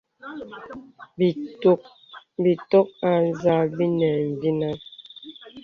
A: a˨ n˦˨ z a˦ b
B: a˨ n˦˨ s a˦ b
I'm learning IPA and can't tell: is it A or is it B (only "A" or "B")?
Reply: A